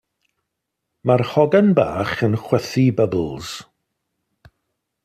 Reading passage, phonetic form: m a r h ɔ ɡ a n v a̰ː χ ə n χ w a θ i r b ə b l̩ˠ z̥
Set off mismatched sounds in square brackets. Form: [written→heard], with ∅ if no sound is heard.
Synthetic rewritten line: m a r h ɔ ɡ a n [v→b] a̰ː χ ə n χ w [a→ɛ] θ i [r→∅] b ə b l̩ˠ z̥